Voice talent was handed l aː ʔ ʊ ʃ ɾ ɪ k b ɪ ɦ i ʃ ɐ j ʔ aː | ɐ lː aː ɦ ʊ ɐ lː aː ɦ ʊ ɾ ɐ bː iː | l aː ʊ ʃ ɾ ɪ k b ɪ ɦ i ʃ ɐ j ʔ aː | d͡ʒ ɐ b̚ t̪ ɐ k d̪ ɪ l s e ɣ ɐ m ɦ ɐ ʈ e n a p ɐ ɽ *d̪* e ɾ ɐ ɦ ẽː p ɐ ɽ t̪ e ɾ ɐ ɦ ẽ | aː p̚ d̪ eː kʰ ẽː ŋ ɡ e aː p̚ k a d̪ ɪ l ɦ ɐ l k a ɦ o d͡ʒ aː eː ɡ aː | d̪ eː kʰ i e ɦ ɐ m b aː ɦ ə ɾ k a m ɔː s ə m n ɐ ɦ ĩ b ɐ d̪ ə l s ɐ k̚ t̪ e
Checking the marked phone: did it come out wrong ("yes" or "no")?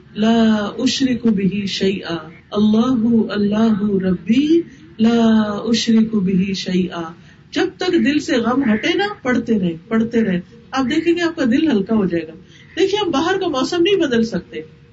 yes